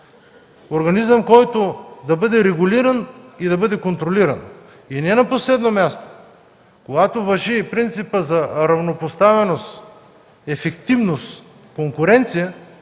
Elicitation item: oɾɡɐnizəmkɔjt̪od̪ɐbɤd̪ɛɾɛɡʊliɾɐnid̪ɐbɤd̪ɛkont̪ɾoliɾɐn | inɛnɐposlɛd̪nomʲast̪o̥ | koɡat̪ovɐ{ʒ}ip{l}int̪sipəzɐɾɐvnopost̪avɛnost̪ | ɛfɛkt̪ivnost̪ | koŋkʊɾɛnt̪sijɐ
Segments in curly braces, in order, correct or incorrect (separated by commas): correct, incorrect